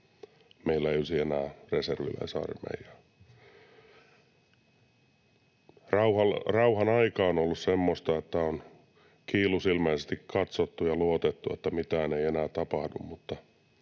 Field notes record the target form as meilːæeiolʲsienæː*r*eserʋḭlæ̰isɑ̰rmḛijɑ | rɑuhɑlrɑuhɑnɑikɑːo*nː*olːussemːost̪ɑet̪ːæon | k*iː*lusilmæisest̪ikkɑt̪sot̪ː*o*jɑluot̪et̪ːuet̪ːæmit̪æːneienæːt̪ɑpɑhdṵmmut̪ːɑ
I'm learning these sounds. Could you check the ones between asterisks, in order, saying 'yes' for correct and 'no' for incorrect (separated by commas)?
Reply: yes, no, yes, no